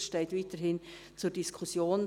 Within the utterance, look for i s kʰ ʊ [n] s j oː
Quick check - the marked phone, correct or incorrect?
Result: incorrect